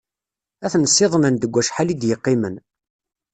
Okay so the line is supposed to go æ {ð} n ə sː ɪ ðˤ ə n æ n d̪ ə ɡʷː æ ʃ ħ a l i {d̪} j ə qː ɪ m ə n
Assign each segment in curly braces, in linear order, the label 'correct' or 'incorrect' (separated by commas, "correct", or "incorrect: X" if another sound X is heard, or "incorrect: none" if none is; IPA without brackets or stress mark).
incorrect: θ, correct